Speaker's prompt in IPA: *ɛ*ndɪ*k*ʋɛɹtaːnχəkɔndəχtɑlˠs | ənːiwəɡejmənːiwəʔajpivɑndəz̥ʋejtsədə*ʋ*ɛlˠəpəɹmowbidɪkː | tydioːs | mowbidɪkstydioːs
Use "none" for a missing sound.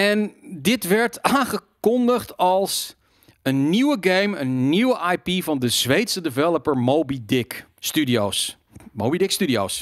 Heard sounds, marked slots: ɛ, t, v

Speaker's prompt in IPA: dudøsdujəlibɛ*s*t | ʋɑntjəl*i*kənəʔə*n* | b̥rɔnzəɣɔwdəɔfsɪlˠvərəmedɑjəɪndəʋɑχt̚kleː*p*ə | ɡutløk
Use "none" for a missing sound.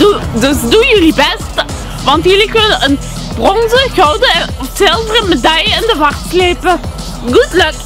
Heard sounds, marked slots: s, i, n, p

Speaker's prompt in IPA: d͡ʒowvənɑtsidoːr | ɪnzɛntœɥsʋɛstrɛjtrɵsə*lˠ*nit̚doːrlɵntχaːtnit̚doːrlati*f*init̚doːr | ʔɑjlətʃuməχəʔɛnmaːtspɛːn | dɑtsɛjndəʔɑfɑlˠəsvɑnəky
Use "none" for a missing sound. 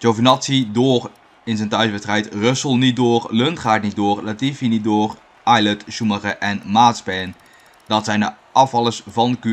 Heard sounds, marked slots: lˠ, f

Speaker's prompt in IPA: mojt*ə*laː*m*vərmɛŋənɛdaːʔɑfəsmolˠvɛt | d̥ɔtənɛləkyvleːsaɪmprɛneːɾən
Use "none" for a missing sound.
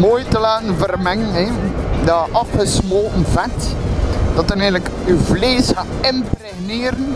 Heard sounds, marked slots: ə, n

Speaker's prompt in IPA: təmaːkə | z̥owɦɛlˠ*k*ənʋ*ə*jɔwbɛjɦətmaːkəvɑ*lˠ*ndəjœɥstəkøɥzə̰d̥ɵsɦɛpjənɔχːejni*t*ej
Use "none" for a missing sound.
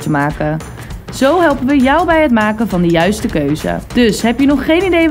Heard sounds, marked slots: p, ə, none, d

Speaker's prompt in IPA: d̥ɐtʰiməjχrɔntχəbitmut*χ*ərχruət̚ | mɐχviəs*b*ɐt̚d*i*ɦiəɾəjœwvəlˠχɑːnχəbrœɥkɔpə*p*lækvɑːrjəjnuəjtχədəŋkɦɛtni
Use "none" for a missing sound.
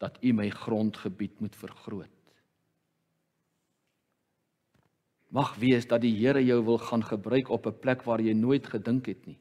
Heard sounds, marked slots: f, d, i, p

